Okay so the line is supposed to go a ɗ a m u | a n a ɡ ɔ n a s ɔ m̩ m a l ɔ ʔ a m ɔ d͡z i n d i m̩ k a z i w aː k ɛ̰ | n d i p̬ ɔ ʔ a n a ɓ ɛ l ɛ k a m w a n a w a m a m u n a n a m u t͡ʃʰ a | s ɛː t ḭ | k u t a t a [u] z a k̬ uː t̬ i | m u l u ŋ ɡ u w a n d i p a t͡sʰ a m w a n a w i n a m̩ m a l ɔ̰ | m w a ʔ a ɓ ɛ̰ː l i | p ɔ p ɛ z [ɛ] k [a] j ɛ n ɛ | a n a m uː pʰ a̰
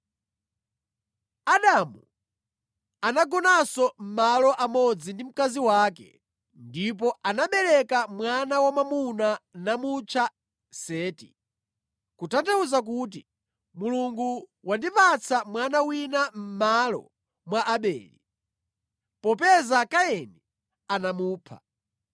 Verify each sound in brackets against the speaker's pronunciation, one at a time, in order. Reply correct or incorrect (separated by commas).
correct, incorrect, correct